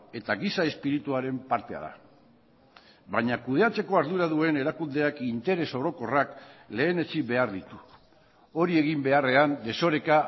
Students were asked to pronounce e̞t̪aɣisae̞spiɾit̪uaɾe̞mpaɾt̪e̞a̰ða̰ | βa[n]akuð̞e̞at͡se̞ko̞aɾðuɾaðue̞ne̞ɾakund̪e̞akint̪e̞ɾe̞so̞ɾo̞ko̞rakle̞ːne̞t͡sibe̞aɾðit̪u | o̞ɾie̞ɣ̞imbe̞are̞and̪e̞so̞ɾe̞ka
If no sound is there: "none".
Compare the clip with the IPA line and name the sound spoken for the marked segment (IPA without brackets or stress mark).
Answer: ɲ